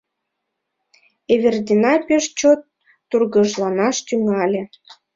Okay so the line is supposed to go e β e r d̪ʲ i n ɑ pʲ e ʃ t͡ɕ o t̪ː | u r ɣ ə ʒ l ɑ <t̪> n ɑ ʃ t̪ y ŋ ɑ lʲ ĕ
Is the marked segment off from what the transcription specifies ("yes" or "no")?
yes